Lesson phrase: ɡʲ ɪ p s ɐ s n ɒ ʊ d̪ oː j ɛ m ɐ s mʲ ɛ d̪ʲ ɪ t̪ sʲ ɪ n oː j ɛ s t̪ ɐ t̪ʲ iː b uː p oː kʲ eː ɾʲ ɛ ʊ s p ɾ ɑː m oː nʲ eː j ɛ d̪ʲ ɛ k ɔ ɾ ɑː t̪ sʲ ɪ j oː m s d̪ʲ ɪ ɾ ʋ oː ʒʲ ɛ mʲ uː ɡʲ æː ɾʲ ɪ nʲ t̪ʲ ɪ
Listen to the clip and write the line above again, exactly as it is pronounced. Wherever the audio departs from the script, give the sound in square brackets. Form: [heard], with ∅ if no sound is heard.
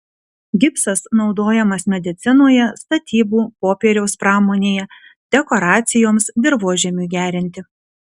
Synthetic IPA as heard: ɡʲ ɪ p s ɐ s n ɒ ʊ d̪ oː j ɛ m ɐ s mʲ ɛ d̪ʲ ɪ t̪ sʲ ɪ n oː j ɛ s t̪ ɐ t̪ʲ iː b uː p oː [pʲ] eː ɾʲ ɛ ʊ s p ɾ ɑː m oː nʲ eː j ɛ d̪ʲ ɛ k ɔ ɾ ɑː t̪ sʲ ɪ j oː m s d̪ʲ ɪ ɾ ʋ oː ʒʲ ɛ mʲ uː ɡʲ æː ɾʲ ɪ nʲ t̪ʲ ɪ